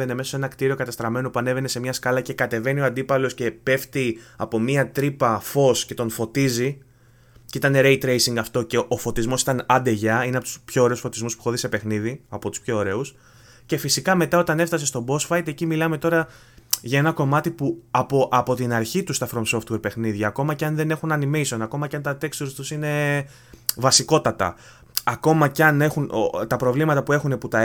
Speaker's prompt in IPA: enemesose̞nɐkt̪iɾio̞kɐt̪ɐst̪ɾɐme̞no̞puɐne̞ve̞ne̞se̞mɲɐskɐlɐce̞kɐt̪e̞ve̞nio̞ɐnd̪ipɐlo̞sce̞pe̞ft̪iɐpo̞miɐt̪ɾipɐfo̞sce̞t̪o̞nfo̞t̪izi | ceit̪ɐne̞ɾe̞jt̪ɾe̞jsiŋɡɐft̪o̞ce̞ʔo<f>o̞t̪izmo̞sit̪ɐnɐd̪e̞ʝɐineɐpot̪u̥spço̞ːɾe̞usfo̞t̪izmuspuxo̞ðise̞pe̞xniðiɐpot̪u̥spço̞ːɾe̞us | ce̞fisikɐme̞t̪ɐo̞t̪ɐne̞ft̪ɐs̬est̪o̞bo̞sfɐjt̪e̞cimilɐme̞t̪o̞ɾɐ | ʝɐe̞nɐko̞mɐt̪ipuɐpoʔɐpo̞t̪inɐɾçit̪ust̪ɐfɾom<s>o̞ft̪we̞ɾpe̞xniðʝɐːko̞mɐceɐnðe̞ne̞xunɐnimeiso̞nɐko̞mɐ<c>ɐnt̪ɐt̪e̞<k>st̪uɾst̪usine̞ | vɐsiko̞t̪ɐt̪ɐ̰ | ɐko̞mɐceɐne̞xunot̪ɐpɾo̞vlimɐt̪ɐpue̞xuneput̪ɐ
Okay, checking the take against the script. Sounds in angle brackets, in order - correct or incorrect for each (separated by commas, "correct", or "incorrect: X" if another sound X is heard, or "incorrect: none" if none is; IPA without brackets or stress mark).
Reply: correct, correct, correct, correct